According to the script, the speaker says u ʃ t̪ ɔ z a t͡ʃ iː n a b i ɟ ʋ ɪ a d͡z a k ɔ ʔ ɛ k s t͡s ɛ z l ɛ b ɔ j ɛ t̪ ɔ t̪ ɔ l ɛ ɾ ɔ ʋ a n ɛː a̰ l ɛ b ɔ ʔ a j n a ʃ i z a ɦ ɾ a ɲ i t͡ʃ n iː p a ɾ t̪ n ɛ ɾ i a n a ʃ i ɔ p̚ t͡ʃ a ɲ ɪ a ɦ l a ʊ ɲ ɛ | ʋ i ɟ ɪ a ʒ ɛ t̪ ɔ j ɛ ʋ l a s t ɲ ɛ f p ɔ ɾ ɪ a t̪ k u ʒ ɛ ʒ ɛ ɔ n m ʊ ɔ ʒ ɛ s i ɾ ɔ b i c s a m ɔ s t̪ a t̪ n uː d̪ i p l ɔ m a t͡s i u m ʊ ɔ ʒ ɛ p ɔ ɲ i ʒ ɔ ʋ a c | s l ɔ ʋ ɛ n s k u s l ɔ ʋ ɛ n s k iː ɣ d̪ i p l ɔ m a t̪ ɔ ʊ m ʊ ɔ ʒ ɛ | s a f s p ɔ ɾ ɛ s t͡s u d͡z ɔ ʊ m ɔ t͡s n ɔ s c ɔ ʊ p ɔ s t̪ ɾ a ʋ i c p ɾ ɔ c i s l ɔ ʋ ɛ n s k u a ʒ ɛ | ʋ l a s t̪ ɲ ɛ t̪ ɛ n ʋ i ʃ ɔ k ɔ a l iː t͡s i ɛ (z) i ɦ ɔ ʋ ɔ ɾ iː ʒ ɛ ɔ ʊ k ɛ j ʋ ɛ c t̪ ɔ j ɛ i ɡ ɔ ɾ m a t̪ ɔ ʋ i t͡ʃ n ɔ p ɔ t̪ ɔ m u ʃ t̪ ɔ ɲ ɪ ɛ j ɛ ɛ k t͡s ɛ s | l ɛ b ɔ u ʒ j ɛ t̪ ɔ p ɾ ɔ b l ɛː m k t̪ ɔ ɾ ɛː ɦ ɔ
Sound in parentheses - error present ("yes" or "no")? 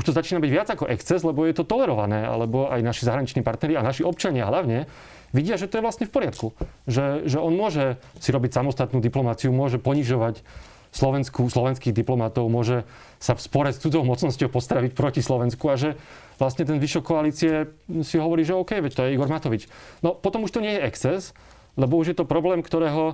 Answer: yes